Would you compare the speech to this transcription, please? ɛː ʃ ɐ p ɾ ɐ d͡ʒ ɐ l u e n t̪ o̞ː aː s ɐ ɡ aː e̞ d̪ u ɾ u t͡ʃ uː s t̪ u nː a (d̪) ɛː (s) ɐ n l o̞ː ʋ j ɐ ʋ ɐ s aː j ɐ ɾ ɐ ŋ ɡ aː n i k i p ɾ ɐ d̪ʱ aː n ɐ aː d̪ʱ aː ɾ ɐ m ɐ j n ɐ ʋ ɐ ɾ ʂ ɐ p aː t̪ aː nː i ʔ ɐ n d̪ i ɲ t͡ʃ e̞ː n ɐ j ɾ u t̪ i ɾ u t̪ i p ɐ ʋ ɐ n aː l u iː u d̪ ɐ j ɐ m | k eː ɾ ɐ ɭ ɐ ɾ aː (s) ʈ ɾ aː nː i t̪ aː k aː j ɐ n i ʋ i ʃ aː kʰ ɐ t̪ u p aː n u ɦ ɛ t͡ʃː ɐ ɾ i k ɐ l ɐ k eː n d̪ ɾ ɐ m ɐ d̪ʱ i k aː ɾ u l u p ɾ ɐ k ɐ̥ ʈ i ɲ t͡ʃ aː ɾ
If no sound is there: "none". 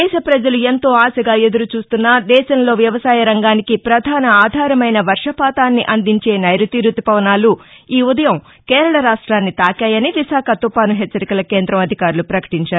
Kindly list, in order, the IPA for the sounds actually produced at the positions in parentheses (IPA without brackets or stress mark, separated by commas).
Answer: d̪, ʃ, ʂ